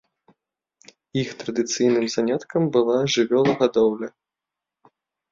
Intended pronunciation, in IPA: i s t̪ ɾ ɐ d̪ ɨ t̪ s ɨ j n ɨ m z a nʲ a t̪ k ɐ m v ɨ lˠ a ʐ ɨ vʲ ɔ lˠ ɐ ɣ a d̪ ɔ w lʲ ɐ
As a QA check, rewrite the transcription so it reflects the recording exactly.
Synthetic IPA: i x t̪ ɾ ɐ d̪ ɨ t̪ s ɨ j n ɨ m z a nʲ a t̪ k ɐ m b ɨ lˠ a ʐ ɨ vʲ ɔ lˠ ɐ ɣ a d̪ ɔ w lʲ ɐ